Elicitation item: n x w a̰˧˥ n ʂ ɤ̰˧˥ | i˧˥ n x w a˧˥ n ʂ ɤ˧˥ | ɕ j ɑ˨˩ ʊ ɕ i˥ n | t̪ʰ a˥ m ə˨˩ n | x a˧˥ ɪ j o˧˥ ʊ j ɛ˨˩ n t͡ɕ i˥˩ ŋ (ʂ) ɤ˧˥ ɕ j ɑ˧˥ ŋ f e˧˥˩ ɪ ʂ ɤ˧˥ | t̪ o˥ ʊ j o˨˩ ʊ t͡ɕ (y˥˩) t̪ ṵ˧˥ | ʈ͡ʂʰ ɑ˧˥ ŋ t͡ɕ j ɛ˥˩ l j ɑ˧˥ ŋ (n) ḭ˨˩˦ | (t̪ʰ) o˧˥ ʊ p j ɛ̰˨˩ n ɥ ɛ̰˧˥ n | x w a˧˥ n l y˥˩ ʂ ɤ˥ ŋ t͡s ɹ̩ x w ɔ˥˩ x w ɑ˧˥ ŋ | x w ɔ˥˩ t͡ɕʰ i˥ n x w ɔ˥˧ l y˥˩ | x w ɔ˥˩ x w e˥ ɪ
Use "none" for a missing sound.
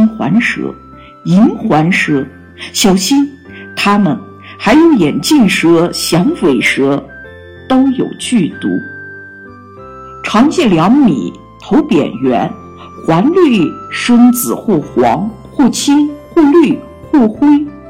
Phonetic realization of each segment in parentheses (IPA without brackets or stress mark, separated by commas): ʂ, y˥˩, m, t̪ʰ